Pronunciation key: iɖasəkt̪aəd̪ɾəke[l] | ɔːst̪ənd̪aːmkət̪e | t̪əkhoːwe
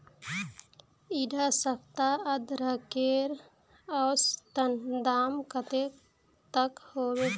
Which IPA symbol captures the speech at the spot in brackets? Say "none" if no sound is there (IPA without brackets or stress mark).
ɾ